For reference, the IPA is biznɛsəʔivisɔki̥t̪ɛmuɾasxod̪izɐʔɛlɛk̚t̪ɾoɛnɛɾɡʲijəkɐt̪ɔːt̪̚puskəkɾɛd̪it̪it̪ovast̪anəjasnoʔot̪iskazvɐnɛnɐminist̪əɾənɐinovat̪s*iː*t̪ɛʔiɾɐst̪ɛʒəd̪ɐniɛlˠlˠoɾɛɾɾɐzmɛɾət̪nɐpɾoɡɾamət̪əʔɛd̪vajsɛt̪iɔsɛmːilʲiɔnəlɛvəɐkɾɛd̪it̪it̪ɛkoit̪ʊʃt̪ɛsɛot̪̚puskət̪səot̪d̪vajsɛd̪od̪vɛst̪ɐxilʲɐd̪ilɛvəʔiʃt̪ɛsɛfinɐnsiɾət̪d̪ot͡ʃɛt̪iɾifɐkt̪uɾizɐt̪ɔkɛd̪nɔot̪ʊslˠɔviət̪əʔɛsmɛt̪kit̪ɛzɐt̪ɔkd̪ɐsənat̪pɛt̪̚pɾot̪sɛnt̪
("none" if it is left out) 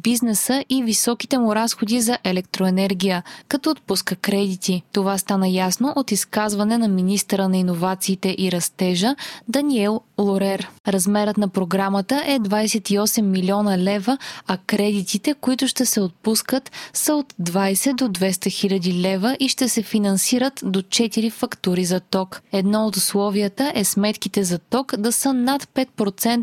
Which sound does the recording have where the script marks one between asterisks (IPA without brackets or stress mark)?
iː